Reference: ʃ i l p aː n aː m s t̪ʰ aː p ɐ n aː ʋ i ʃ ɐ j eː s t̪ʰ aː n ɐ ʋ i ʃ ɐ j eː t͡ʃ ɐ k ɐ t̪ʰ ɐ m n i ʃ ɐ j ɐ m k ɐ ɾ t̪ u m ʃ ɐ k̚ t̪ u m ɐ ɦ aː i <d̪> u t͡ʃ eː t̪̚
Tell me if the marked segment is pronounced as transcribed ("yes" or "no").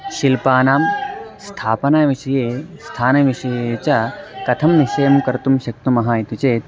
no